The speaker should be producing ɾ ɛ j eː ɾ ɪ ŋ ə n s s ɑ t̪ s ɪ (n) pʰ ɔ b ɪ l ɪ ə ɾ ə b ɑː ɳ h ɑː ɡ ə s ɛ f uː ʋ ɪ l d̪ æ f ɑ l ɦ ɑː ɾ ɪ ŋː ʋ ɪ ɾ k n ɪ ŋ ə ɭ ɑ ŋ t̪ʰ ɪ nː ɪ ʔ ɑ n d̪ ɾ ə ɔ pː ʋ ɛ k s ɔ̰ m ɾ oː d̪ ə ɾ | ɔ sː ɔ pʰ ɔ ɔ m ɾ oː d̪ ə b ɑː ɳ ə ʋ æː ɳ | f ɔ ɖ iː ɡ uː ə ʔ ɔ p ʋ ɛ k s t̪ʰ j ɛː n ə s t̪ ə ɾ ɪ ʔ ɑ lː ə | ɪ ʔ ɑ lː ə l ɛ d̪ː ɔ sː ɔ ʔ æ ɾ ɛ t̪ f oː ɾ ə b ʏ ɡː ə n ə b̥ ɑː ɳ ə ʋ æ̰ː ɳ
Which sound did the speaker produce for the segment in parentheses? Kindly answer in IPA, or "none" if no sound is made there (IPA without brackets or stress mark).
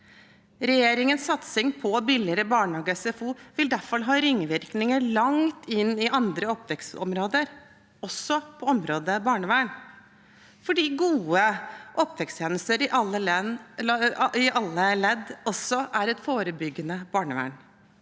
ŋ